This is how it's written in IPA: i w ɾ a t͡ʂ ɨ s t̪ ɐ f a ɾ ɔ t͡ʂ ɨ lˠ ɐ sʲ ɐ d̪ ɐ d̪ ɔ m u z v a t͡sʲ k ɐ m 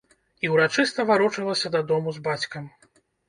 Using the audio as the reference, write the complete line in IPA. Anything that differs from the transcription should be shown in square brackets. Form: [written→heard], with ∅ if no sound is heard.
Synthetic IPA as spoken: i w ɾ a t͡ʂ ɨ s t̪ ɐ [f→v] a ɾ ɔ t͡ʂ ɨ lˠ ɐ sʲ ɐ d̪ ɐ d̪ ɔ m u z [v→b] a t͡sʲ k ɐ m